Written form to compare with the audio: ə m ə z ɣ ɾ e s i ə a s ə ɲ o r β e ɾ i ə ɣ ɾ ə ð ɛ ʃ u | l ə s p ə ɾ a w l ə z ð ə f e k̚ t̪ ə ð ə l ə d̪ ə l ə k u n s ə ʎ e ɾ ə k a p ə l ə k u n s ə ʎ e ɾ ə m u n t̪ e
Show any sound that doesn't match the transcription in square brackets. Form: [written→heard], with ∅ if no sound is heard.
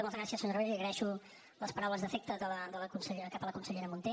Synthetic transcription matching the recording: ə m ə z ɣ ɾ [e→a] s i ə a s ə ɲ o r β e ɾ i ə ɣ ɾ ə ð ɛ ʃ u | l ə s p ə ɾ a w l ə z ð ə f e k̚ t̪ ə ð ə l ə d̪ ə l ə k u n s ə ʎ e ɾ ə k a p ə l ə k u n s ə ʎ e ɾ ə m u n t̪ e